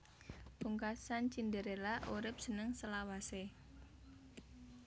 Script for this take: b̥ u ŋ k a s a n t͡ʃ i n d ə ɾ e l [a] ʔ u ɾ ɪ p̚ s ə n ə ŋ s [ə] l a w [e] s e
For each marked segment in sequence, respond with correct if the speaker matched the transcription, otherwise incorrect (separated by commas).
correct, correct, incorrect